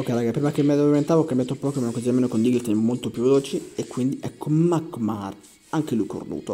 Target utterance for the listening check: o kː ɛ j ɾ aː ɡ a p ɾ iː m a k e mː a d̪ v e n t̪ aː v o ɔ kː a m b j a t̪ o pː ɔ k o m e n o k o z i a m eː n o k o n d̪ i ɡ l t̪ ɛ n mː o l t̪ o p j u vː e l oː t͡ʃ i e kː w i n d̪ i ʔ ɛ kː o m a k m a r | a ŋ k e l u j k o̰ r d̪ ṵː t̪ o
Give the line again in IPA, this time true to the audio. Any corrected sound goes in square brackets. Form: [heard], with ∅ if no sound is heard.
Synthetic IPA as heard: o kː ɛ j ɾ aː ɡ a p ɾ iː m a k e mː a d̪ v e n t̪ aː v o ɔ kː a m b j a t̪ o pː ɔ k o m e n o k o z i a m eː n o k o n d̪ i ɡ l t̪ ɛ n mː o l t̪ o p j u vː e l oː t͡ʃ i e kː w i n d̪ i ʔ ɛ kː o m a k m a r | a ŋ k e l u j k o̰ r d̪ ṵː t̪ o